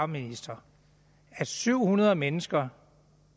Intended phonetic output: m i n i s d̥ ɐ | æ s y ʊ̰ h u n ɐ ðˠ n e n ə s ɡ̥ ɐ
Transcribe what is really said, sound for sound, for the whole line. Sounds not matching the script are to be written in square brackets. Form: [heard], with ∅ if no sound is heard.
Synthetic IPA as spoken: m i n i s d̥ ɐ | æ s y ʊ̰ h u n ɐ ðˠ [m] e n ə s ɡ̥ ɐ